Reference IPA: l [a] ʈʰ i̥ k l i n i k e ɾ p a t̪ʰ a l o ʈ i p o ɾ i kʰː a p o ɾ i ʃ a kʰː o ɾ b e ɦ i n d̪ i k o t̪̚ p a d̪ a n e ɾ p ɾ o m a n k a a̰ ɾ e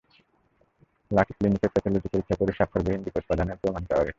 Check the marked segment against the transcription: correct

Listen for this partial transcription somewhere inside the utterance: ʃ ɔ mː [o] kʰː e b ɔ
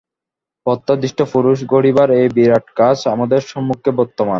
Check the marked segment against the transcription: incorrect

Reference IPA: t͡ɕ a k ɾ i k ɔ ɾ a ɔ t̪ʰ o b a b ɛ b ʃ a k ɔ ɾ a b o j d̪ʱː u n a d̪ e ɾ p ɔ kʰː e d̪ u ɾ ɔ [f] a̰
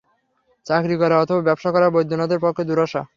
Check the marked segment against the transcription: incorrect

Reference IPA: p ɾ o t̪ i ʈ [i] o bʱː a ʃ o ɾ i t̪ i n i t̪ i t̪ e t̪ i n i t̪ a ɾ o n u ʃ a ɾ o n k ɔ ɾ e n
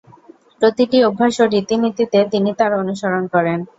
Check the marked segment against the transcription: correct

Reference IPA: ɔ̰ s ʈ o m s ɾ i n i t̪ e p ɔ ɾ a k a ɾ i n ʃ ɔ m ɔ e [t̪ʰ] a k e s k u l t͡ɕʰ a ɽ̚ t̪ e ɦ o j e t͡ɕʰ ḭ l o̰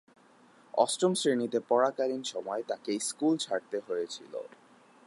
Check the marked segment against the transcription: incorrect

